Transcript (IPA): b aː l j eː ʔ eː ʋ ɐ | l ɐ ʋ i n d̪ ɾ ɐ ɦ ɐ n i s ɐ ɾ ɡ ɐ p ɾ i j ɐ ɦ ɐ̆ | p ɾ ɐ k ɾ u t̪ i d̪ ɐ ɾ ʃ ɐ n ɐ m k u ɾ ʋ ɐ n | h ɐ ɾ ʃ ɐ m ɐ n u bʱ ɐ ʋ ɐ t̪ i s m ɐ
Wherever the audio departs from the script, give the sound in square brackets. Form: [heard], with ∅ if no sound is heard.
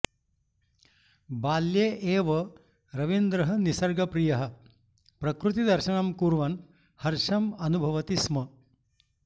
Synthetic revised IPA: b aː l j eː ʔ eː ʋ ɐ | [ɾ] ɐ ʋ i n d̪ ɾ ɐ ɦ ɐ n i s ɐ ɾ ɡ ɐ p ɾ i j ɐ ɦ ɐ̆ | p ɾ ɐ k ɾ u t̪ i d̪ ɐ ɾ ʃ ɐ n ɐ m k u ɾ ʋ ɐ n | h ɐ ɾ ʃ ɐ m ɐ n u bʱ ɐ ʋ ɐ t̪ i s m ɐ